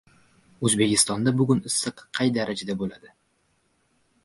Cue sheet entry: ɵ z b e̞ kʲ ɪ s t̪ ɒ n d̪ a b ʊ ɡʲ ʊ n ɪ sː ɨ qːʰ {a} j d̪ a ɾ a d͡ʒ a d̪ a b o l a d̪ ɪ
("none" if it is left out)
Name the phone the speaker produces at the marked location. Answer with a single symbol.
ɑ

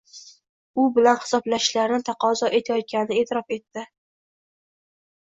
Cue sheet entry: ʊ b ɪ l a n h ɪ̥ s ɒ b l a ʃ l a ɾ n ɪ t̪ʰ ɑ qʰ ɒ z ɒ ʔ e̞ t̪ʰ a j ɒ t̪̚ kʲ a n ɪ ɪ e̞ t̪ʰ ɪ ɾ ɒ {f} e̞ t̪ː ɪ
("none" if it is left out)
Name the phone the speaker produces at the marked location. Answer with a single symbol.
f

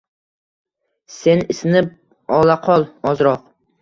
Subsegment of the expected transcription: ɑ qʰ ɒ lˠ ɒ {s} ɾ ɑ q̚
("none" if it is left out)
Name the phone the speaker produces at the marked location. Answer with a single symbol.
z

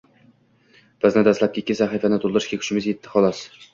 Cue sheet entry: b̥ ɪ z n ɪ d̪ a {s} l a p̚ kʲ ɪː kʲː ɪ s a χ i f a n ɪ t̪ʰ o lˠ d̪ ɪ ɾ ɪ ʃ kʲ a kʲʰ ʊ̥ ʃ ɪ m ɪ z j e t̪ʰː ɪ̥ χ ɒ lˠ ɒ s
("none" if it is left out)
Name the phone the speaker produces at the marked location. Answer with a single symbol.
s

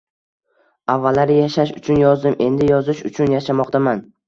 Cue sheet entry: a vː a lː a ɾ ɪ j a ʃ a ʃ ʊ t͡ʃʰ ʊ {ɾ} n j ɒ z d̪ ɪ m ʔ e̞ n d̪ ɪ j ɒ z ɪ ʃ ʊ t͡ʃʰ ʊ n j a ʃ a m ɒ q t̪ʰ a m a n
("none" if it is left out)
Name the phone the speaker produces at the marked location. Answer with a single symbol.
none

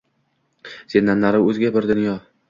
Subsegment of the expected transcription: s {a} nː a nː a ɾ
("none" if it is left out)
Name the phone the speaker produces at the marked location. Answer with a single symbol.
e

